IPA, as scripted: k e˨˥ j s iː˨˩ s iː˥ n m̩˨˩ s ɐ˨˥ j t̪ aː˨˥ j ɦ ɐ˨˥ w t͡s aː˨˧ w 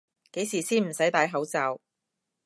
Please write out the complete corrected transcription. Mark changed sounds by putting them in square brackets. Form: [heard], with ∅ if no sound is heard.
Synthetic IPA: k e˨˥ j s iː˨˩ s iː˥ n m̩˨˩ s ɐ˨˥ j t̪ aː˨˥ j ɦ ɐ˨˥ w t͡s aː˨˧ w